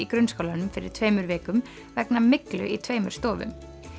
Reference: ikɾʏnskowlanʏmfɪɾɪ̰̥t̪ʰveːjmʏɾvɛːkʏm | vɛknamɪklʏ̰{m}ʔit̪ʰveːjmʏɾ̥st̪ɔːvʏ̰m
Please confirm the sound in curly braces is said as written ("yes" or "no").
no